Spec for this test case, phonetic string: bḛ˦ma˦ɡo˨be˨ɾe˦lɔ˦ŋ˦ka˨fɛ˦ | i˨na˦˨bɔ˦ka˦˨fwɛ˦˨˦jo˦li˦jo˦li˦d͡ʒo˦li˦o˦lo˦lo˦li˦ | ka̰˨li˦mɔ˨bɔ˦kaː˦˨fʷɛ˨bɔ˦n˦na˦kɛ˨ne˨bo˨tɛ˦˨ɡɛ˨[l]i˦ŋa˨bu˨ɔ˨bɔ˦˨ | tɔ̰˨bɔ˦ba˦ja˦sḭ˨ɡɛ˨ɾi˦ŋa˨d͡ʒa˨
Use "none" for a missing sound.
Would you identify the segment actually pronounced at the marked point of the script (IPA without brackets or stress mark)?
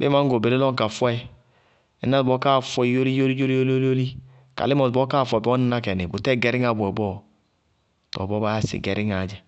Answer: ɾ